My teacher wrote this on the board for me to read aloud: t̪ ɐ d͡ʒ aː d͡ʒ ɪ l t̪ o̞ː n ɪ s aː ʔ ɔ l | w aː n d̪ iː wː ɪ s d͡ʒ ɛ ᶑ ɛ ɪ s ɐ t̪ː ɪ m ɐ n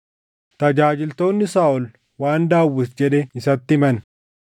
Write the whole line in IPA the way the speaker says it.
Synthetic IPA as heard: t̪ ɐ d͡ʒ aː d͡ʒ ɪ l t̪ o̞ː nː ɪ s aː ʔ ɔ l | w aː n d̪ aː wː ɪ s d͡ʒ ɛ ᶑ ɛ ɪ s ɐ t̪ː ɪ m ɐ n

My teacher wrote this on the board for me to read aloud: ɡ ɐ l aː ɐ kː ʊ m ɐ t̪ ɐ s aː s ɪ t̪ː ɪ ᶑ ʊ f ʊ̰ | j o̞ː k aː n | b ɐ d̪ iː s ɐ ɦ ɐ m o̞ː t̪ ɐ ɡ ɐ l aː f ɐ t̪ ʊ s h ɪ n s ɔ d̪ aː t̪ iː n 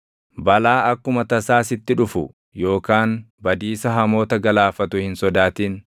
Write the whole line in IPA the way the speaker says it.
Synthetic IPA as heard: b ɐ l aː ɐ kː ʊ m ɐ t̪ ɐ s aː s ɪ t̪ː ɪ ᶑ ʊ f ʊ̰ | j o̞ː k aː n | b ɐ d̪ iː s ɐ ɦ ɐ m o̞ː t̪ ɐ ɡ ɐ l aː f ɐ t̪ ʊ h ɪ n s ɔ d̪ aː t̪ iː n

